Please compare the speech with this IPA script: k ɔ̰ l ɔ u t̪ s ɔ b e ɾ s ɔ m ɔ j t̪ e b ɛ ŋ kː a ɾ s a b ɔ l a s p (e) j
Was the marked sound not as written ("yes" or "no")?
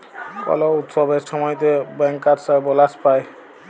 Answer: yes